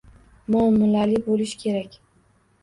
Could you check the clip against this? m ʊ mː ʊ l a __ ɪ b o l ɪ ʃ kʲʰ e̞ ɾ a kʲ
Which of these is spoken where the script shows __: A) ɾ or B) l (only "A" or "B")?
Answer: B